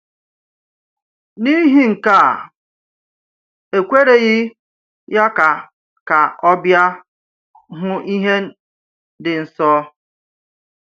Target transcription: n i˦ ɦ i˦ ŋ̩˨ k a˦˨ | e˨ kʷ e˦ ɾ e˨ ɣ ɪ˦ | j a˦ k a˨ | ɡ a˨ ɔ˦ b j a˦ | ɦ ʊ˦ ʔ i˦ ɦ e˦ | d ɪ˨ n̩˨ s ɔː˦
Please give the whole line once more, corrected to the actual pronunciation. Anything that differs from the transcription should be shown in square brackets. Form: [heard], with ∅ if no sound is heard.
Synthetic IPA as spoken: n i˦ ɦ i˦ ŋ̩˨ k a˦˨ | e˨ kʷ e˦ ɾ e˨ ɣ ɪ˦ | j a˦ k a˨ | [k] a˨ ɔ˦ b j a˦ | ɦ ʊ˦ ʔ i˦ ɦ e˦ | d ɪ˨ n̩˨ s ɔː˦